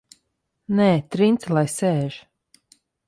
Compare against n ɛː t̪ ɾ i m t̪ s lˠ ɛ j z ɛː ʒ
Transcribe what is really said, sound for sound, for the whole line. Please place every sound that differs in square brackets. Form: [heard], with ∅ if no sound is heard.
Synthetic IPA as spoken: n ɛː t̪ ɾ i [n] t̪ s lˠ [a] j [s] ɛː ʒ